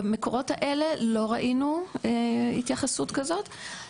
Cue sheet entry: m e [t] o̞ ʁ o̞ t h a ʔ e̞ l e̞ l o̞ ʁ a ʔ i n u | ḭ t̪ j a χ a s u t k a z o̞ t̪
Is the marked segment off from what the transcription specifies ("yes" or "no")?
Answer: yes